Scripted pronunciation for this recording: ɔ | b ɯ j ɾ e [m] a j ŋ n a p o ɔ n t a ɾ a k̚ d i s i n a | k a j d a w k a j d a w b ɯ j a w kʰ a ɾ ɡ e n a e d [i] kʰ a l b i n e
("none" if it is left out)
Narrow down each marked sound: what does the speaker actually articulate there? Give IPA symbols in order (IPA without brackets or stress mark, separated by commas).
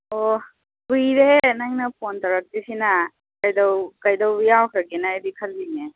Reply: n, i